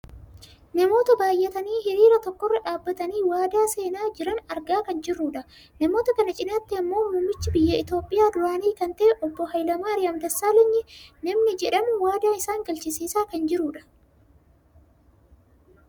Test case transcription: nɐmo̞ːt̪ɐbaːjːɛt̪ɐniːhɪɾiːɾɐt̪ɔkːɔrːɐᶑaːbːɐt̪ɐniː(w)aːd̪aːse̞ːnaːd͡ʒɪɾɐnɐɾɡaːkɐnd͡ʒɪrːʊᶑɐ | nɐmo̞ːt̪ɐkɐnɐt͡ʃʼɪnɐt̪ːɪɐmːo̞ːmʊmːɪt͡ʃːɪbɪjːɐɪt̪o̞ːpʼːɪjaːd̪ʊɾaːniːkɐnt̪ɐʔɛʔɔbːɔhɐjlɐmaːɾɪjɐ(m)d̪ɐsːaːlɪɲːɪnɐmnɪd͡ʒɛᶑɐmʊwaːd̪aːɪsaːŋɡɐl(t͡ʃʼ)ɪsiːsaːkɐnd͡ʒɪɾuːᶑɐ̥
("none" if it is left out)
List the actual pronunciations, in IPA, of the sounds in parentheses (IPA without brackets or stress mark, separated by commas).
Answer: w, m, t͡ʃ